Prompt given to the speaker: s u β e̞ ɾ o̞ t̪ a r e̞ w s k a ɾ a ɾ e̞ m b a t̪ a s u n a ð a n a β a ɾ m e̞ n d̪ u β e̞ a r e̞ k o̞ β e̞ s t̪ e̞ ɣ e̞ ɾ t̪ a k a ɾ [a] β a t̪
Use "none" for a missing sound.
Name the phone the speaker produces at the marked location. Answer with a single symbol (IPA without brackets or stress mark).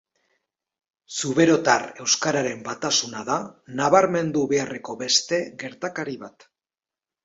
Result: i